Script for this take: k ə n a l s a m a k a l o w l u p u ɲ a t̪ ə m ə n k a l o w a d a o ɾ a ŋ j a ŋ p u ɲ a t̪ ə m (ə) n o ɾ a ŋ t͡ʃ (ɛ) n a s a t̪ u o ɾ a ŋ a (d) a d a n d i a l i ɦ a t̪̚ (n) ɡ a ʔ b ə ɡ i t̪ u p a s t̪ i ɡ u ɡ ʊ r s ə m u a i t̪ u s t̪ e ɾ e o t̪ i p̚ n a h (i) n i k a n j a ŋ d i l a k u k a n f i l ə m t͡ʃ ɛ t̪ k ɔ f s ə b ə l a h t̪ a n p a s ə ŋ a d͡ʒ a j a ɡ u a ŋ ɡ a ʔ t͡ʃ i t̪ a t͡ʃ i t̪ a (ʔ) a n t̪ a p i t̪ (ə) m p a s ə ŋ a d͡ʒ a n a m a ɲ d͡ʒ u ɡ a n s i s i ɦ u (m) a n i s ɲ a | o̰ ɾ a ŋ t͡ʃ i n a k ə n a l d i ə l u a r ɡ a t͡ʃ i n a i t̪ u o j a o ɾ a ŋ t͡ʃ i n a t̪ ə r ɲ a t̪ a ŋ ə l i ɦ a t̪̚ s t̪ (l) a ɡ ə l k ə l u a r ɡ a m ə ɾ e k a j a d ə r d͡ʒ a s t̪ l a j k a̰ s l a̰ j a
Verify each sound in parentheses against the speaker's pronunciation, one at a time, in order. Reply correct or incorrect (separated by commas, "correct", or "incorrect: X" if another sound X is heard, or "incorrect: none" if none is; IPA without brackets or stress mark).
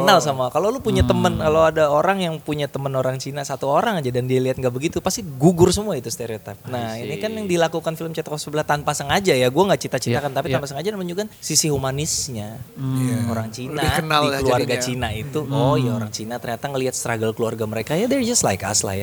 correct, incorrect: i, incorrect: d͡ʒ, incorrect: ŋ, correct, incorrect: k, incorrect: a, correct, incorrect: ɾ